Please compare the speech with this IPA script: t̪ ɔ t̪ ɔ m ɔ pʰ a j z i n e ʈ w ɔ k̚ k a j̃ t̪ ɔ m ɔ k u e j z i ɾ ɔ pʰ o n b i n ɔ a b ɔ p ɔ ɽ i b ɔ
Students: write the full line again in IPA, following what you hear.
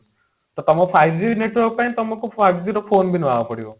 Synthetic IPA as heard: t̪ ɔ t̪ ɔ m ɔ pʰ a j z i n e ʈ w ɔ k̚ p a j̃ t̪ ɔ m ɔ k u a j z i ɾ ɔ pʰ o n b i n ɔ a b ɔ p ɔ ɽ i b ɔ